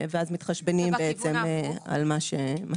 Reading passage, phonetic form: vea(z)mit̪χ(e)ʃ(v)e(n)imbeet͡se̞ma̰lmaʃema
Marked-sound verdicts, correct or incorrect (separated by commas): correct, incorrect, incorrect, correct